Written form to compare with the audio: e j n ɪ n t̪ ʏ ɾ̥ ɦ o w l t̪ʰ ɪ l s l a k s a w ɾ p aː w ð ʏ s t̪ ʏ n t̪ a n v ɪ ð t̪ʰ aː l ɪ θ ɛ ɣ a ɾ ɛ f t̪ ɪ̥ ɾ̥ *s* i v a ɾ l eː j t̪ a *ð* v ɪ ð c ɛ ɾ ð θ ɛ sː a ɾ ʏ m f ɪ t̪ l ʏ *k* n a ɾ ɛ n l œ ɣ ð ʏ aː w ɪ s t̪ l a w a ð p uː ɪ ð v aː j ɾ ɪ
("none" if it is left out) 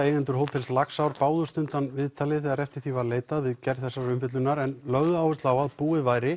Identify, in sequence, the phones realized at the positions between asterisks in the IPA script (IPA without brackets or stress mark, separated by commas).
θ, ð, none